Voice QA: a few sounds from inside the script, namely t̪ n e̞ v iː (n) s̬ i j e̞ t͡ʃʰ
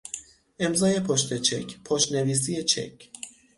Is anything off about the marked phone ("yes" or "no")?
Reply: yes